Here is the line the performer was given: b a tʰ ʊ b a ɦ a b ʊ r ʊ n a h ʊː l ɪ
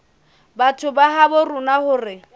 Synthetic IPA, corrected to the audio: b a tʰ ʊ b a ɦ a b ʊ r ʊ n a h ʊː r ɪ